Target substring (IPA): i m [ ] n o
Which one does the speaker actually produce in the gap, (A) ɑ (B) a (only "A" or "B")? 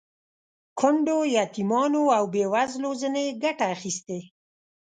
A